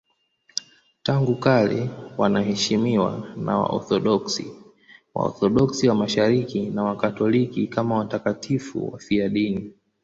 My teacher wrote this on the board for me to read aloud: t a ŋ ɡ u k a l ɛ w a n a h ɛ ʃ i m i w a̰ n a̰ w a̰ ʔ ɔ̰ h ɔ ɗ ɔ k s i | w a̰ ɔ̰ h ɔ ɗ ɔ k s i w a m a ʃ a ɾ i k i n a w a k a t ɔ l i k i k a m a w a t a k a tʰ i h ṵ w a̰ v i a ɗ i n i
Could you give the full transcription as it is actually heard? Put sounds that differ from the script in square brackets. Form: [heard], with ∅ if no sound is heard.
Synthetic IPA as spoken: t a ŋ ɡ u k a l ɛ w a n a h ɛ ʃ i m i w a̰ n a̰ w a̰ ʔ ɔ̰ [θ] ɔ ɗ ɔ k s i | w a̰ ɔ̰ [θ] ɔ ɗ ɔ k s i w a m a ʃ a ɾ i k i n a w a k a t ɔ l i k i k a m a w a t a k a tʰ i [f] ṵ w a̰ [f] i a ɗ i n i